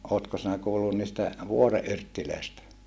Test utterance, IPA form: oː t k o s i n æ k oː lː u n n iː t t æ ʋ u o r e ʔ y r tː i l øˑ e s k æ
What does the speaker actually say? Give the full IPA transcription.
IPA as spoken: oː t k o s i n æ k uː lː u n n iː s t æ ʋ u o r e ʔ y r tː i l øˑ i s t æ